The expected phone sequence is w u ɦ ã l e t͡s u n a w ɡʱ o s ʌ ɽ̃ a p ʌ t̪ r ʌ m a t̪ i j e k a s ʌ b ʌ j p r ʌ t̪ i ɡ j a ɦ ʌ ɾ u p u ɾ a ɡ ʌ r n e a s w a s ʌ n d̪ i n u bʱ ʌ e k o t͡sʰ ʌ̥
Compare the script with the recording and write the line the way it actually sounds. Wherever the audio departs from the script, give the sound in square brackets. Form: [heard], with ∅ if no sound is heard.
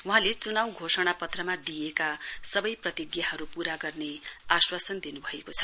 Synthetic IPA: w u ɦ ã l e t͡s u n a w ɡʱ o s ʌ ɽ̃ a p ʌ t̪ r ʌ m a [d̪] i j e k a s ʌ b ʌ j p r ʌ t̪ i ɡ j a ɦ ʌ ɾ u p u ɾ a ɡ ʌ r n e a s w a s ʌ n d̪ i n u bʱ ʌ e k o t͡sʰ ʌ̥